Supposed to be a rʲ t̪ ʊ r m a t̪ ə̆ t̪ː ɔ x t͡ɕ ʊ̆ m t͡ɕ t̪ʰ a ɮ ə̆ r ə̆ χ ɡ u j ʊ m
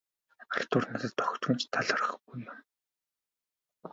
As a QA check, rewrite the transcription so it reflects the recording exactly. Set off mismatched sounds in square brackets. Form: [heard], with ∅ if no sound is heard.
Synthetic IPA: a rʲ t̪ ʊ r [n] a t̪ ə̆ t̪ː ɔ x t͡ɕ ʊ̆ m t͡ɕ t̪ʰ a ɮ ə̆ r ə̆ χ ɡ u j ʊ m